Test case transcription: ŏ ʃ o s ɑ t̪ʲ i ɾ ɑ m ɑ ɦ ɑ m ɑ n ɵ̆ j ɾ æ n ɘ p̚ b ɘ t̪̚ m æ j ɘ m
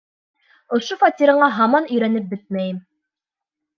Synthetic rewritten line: ŏ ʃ o f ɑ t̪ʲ i ɾ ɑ ɴ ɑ ɦ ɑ m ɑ n ɵ̆ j ɾ æ n ɘ p̚ b ɘ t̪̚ m æ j ɘ m

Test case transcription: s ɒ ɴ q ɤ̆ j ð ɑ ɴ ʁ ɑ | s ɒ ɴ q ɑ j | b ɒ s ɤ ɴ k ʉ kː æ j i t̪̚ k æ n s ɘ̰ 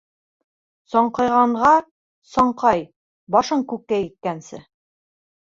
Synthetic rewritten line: s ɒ ɴ q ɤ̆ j ʁ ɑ ɴ ʁ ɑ | s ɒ ɴ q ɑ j | b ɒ ʃ ɤ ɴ k ʉ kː æ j i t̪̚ k æ n s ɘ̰

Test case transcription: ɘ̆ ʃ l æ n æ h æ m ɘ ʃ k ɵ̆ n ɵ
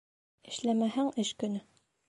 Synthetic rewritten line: ɘ̆ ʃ l æ m æ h æ ŋ ɘ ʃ k ɵ̆ n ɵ

